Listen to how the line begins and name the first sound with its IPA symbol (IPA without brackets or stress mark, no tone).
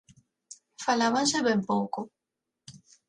f